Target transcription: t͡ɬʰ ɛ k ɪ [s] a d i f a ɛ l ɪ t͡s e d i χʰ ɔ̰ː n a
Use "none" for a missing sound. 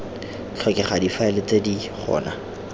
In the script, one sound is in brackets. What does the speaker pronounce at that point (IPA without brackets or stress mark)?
χ